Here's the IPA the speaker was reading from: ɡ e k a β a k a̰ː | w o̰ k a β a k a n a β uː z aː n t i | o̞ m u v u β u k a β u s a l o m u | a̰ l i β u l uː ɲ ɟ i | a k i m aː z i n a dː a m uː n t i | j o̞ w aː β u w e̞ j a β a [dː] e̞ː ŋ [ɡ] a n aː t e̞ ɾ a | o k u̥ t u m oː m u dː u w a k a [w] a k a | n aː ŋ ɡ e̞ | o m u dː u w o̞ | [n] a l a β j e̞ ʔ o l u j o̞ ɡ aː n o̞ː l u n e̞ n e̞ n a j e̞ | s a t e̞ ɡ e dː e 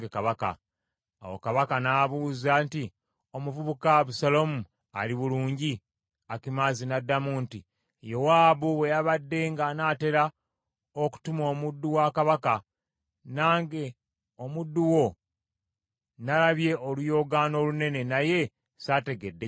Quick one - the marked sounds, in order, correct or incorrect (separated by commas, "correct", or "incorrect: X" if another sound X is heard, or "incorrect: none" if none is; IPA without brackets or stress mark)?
correct, correct, incorrect: β, correct